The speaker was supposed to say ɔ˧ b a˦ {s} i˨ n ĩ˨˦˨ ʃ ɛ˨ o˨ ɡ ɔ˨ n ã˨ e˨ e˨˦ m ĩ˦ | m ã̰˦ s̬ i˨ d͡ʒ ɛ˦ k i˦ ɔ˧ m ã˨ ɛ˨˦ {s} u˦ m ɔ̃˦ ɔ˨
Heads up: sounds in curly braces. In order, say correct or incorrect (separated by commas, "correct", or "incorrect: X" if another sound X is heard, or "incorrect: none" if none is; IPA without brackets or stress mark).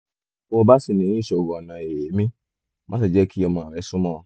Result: correct, correct